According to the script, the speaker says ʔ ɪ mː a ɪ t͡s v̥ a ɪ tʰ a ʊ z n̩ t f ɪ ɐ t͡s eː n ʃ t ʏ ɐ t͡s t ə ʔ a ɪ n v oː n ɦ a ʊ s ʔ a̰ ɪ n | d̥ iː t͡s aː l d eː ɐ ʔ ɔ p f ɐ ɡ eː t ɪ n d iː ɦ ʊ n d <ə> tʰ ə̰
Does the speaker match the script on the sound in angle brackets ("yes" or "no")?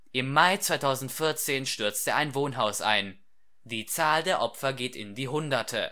no